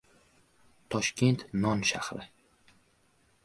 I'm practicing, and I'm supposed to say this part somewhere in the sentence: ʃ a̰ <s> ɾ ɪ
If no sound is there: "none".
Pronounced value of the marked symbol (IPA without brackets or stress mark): h